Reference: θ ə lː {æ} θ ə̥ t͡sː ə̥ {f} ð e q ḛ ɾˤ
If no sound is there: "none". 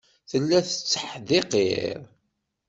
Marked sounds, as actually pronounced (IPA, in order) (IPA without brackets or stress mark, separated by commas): æ, ħ